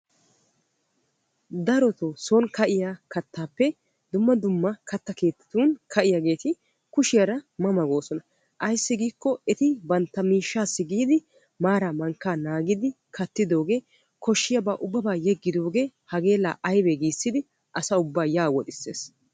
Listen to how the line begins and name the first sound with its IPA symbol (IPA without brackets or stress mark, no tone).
d̪